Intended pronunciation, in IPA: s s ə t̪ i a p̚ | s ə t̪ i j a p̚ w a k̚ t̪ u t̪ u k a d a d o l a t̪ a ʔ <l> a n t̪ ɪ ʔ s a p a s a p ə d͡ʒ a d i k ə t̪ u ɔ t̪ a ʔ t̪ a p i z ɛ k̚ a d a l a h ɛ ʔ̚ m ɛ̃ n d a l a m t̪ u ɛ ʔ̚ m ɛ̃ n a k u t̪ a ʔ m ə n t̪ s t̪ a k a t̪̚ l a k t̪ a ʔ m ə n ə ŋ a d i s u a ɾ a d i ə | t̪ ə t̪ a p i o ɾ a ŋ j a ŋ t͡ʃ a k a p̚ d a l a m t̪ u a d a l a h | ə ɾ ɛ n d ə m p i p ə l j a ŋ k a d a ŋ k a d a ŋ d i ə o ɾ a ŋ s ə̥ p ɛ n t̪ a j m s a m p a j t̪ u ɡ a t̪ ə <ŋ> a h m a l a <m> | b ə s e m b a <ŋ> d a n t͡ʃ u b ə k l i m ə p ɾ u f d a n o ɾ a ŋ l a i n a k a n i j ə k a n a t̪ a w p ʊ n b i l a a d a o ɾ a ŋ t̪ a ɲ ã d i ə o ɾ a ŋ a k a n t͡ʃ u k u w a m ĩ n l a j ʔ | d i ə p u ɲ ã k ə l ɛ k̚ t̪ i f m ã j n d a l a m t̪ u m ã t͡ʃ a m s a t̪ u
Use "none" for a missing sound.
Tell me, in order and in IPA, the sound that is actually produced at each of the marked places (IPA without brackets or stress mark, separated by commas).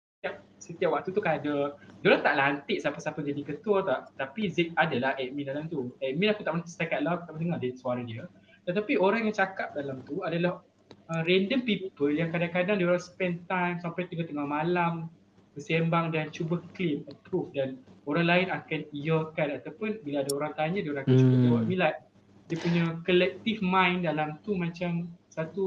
l, ŋ, m, ŋ